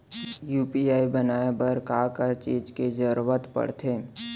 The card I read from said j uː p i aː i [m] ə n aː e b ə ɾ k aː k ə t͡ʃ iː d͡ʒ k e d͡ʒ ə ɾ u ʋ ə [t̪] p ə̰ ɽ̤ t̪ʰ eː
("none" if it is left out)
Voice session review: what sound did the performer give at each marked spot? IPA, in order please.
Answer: b, t̪

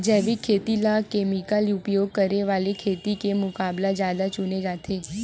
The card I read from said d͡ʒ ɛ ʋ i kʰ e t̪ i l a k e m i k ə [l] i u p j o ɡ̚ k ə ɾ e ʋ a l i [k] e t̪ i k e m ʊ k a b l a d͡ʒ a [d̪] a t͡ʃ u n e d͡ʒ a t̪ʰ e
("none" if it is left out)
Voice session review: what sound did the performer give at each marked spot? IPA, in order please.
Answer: l, kʰ, d̪

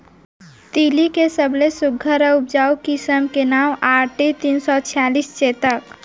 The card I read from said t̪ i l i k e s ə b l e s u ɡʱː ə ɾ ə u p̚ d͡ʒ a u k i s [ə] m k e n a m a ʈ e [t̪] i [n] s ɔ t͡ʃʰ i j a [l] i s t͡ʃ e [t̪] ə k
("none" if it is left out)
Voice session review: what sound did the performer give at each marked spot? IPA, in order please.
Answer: ə, t̪, n, l, t̪

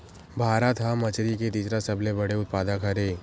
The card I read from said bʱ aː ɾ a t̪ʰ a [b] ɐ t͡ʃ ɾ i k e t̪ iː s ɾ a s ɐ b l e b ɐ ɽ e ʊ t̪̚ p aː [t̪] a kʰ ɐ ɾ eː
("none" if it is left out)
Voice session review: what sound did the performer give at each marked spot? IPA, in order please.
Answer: m, d̪

